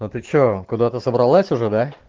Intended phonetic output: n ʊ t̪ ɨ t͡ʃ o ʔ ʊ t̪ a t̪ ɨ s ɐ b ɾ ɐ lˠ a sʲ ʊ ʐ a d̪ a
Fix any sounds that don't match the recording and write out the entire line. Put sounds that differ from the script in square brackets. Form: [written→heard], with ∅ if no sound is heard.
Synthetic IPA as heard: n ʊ t̪ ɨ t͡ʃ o [ʔ→k] ʊ [t̪→d̪] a t̪ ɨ s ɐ b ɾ ɐ lˠ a sʲ ʊ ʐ [a→ɛ] d̪ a